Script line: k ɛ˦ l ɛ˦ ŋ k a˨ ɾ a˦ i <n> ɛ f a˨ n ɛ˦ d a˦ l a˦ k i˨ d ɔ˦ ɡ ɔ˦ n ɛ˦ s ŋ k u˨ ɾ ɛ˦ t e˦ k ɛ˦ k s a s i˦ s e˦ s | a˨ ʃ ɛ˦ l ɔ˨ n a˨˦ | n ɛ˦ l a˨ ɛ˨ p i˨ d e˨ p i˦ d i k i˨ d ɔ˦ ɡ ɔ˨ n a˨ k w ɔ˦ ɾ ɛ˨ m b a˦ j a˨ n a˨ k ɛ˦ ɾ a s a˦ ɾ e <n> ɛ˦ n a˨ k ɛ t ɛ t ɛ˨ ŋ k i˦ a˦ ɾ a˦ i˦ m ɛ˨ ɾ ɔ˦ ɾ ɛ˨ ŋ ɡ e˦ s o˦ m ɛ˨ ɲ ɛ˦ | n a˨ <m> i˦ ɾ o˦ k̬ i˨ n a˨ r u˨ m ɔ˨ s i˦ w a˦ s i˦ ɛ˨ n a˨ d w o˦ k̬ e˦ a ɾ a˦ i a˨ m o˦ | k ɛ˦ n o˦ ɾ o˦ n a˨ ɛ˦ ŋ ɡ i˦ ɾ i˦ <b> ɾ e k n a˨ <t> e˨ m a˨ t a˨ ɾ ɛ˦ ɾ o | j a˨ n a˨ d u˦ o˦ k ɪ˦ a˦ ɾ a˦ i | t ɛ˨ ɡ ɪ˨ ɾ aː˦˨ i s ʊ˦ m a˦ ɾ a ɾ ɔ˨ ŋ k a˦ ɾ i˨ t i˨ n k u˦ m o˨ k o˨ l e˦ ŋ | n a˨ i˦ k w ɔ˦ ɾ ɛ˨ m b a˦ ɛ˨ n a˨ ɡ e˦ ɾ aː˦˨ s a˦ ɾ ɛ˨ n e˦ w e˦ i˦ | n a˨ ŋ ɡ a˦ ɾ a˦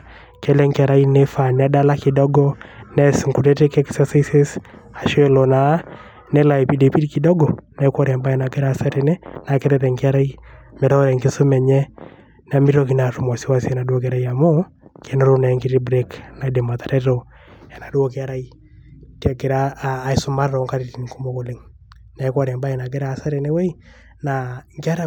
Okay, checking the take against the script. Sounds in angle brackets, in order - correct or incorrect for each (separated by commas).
correct, correct, correct, correct, incorrect